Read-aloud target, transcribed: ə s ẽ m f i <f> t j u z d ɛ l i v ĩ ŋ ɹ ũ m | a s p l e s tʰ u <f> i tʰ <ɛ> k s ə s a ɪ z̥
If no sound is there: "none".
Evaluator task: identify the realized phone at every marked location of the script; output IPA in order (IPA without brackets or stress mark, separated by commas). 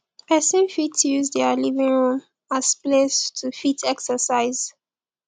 none, f, ɛ